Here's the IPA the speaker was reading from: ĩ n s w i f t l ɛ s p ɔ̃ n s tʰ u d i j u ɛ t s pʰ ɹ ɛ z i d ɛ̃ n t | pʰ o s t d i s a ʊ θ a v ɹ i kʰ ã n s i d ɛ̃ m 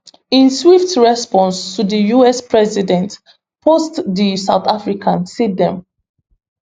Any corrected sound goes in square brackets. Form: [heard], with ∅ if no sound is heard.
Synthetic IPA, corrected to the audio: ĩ n s w i f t [ɹ] ɛ s p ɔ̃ n s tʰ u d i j u ɛ [∅] s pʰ ɹ ɛ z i d ɛ̃ n t | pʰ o s t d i s a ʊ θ a [f] ɹ i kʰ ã n s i d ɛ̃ m